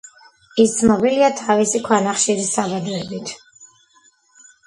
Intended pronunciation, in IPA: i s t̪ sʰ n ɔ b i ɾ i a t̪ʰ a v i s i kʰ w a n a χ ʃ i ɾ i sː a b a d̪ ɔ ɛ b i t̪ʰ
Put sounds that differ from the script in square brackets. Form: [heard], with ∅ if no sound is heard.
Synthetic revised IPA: i s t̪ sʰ n ɔ b i [l] i a t̪ʰ a v i s i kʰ w a n a χ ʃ i ɾ i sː a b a d̪ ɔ ɛ b i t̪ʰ

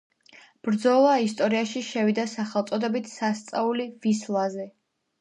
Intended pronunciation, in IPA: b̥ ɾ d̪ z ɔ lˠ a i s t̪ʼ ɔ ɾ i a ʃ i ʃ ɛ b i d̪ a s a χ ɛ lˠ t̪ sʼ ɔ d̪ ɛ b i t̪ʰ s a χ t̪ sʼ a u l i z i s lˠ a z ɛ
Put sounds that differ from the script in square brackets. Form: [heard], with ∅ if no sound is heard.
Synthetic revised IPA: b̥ ɾ d̪ z ɔ lˠ a i s t̪ʼ ɔ ɾ i a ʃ i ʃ ɛ [v] i d̪ a s a χ ɛ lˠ t̪ sʼ ɔ d̪ ɛ b i t̪ʰ s a [s] t̪ sʼ a u l i [v] i s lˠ a z ɛ

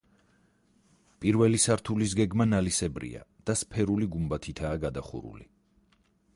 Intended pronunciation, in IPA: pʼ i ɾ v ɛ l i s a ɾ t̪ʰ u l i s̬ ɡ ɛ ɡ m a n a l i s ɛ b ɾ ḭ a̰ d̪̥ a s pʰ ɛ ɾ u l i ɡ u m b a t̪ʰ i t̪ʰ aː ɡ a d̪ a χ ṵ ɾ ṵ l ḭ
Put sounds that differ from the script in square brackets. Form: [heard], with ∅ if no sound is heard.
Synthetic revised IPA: pʼ i ɾ v ɛ l i s a ɾ t̪ʰ u l i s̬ ɡ ɛ ɡ m a n a l i s ɛ b ɾ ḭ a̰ d̪̥ a s pʰ ɛ ɾ u l i ɡ u m b a t̪ʰ i t̪ʰ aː ɡ a d̪ a χ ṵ ɾ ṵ l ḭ

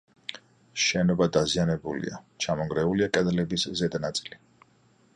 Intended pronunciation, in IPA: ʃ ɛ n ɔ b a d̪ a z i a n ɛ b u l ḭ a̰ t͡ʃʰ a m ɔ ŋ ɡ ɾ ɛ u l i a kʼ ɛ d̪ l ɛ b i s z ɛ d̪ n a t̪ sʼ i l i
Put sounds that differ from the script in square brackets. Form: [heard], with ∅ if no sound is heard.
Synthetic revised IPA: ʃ ɛ n ɔ b a d̪ a z i a n ɛ b u l ḭ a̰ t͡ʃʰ a m ɔ ŋ ɡ ɾ ɛ u l i a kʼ ɛ d̪ l ɛ b i s z ɛ d̪ n a t̪ sʼ i l i

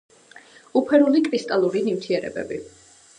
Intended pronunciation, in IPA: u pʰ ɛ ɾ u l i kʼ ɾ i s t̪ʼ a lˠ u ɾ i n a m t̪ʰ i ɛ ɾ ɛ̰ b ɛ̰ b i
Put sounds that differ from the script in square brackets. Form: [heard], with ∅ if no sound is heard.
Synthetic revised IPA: u pʰ ɛ ɾ u l i kʼ ɾ i s t̪ʼ a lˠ u ɾ i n [i] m t̪ʰ i ɛ ɾ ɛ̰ b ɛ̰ b i

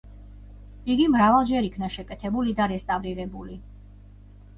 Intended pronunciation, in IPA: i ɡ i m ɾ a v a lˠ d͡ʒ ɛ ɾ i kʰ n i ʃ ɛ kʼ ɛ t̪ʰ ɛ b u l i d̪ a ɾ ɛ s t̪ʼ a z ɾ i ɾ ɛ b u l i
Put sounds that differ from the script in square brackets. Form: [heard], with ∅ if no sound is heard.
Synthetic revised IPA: i ɡ i m ɾ a v a lˠ d͡ʒ ɛ ɾ i kʰ n [a] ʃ ɛ kʼ ɛ t̪ʰ ɛ b u l i d̪ a ɾ ɛ s t̪ʼ a [v] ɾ i ɾ ɛ b u l i

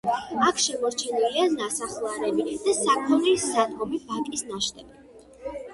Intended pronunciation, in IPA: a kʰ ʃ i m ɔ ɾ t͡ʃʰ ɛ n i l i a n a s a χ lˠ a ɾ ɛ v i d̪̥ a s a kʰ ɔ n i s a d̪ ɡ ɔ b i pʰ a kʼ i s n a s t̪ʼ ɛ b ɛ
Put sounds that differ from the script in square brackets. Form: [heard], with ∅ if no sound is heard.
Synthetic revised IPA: a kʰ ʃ [ɛ] m ɔ ɾ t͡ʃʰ ɛ n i l i a n a s a χ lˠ a ɾ ɛ [b] i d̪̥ a s a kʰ ɔ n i s a d̪ ɡ ɔ b i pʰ a kʼ i s n a [ʃ] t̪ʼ ɛ b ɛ

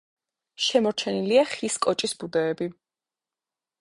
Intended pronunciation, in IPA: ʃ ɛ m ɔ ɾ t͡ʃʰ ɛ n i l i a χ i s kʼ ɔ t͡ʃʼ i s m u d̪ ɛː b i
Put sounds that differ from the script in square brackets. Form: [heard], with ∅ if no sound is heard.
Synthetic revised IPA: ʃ ɛ m ɔ ɾ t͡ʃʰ ɛ n i l i a χ i s kʼ ɔ t͡ʃʼ i s [b] u d̪ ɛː b i

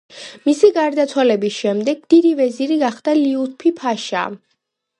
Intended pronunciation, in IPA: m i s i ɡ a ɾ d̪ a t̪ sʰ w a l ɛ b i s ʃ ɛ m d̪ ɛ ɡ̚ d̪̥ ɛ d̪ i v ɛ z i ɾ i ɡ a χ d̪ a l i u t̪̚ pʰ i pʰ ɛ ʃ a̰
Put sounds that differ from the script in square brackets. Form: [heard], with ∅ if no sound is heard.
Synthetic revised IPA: m i s i ɡ a ɾ d̪ a t̪ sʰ w a l ɛ b i s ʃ ɛ m d̪ ɛ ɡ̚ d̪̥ [i] d̪ i v ɛ z i ɾ i ɡ a χ d̪ a l i u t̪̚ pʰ i pʰ [a] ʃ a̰

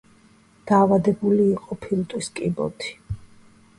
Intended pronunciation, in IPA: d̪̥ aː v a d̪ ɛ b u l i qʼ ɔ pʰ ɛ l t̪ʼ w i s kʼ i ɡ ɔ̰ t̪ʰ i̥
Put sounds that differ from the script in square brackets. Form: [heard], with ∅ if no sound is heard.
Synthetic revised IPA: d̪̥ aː v a d̪ ɛ b u l [iː] qʼ ɔ pʰ [i] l t̪ʼ w i s kʼ i [b] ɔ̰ t̪ʰ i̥

